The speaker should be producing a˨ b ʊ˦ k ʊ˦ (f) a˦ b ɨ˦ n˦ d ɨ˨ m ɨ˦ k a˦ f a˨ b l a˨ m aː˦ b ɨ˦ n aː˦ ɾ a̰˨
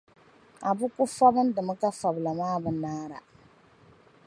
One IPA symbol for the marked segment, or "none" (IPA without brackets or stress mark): f